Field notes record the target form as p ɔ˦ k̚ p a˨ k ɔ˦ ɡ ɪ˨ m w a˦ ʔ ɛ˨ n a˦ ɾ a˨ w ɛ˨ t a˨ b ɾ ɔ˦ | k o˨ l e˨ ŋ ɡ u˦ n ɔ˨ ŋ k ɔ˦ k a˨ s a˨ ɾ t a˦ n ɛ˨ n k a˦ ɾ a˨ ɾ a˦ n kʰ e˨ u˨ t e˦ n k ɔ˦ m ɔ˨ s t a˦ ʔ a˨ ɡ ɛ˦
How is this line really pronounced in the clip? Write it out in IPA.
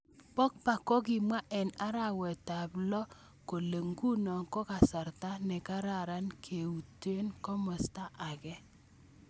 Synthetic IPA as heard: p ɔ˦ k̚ p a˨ k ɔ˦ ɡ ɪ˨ m w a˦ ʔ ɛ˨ n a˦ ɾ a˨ w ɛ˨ t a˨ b l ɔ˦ | k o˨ l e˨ ŋ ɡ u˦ n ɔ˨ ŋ k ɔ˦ k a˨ s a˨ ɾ t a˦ n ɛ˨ k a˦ ɾ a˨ ɾ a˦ n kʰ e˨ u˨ t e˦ n k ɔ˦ m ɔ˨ s t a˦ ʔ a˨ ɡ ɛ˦